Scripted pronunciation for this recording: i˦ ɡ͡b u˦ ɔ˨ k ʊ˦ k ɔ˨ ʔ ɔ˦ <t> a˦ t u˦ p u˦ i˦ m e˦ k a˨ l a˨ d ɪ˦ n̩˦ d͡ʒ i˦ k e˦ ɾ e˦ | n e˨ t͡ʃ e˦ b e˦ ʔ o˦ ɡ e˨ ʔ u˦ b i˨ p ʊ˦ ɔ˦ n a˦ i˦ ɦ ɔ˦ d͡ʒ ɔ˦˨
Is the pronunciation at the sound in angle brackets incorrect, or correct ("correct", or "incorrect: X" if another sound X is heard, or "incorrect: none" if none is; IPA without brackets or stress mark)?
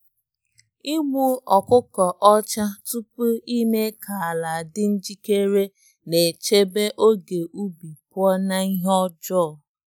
incorrect: t͡ʃ